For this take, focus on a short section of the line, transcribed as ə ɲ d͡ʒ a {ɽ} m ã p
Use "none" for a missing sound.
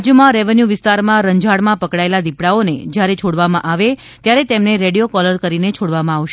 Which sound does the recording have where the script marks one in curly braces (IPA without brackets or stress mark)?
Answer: ɽ